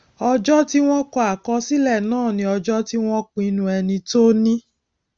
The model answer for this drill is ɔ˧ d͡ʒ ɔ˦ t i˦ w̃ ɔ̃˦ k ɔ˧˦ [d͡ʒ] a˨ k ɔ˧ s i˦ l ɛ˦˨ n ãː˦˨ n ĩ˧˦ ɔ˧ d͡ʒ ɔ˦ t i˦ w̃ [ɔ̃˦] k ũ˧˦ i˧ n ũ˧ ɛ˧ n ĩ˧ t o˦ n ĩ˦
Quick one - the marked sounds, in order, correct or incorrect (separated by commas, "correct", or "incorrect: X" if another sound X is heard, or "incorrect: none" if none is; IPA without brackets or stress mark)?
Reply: incorrect: none, correct